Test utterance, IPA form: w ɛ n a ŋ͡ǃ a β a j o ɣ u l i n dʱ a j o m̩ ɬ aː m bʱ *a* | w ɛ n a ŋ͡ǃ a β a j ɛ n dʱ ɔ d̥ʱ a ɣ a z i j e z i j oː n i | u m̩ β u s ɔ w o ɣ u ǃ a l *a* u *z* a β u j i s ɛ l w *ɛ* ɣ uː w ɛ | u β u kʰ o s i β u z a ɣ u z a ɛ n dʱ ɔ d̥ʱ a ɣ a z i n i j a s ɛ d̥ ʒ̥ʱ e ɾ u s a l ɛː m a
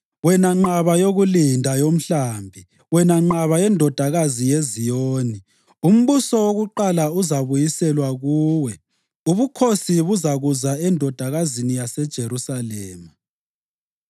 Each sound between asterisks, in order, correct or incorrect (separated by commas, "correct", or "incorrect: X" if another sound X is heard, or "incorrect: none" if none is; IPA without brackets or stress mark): incorrect: i, correct, correct, incorrect: a